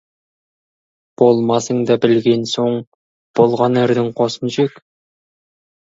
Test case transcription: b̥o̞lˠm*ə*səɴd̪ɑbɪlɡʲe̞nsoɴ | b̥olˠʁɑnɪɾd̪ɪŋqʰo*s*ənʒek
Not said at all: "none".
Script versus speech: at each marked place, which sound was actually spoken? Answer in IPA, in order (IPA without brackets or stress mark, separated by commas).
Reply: ɑ, s